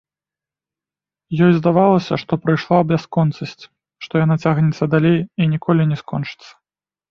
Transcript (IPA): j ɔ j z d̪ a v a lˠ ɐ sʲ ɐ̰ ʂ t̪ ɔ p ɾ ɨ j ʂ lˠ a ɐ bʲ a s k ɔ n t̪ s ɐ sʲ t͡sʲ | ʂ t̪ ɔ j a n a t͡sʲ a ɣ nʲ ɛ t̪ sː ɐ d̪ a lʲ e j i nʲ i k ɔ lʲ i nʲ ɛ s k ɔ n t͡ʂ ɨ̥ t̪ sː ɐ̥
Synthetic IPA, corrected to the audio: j ɔ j z d̪ a v a lˠ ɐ sʲ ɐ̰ ʂ t̪ ɔ p ɾ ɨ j ʂ lˠ a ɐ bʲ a s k ɔ n t̪ s ɐ sʲ t͡sʲ | ʂ t̪ ɔ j a n a t͡sʲ a ɣ nʲ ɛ t̪ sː ɐ d̪ a lʲ e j i nʲ i k ɔ lʲ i nʲ ɛ s k ɔ n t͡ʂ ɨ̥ t̪ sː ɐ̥